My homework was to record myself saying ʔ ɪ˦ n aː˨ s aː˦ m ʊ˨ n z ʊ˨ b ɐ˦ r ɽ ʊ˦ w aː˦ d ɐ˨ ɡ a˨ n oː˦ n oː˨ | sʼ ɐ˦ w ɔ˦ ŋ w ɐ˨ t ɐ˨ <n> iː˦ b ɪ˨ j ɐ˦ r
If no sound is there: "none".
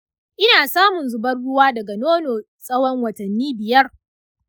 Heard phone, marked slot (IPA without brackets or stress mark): nː